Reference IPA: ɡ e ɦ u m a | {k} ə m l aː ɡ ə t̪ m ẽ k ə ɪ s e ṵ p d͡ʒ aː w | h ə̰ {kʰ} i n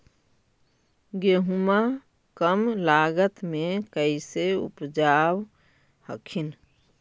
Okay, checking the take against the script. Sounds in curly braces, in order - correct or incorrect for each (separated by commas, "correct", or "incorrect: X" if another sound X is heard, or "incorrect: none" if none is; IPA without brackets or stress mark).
correct, correct